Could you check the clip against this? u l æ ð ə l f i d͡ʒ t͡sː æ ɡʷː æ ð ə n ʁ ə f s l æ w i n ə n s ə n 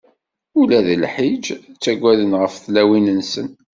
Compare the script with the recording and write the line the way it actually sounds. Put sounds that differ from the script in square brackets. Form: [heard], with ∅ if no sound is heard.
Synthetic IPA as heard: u l æ ð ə l [ħ] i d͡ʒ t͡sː æ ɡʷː æ ð ə n ʁ ə f [θ] l æ w i n ə n s ə n